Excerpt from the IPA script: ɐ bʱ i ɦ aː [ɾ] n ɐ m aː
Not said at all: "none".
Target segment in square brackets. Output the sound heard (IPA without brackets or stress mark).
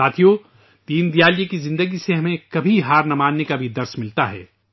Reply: ɾ